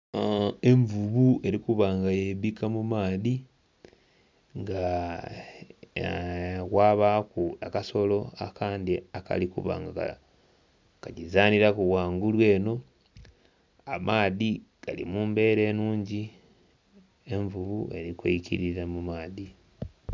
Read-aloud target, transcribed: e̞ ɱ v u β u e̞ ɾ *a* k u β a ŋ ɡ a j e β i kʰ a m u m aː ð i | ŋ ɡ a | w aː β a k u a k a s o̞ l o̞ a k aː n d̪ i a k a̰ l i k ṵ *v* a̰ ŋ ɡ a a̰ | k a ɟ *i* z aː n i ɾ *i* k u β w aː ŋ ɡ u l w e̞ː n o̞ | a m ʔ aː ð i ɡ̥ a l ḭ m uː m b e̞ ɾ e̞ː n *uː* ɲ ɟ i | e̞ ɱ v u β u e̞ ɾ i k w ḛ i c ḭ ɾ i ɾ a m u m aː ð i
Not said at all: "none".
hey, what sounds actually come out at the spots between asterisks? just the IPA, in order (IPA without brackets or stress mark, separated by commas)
i, β, i, a, uː